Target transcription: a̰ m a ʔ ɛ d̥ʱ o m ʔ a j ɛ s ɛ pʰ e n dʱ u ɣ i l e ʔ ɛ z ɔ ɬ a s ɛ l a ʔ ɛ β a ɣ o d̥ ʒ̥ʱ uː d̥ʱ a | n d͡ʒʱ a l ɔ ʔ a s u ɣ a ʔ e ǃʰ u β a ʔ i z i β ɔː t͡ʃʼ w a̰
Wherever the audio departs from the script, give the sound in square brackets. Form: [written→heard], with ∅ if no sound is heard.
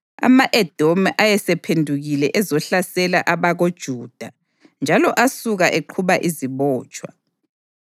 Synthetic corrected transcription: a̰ m a ʔ ɛ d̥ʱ o m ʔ a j ɛ s ɛ pʰ e n dʱ u ɣ i l [e→ɛ] ʔ ɛ z ɔ ɬ a s ɛ l a ʔ [ɛ→a] β a ɣ o d̥ ʒ̥ʱ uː d̥ʱ a | n d͡ʒʱ a l ɔ ʔ a s u ɣ a ʔ e ǃʰ u β a ʔ i z i β ɔː t͡ʃʼ w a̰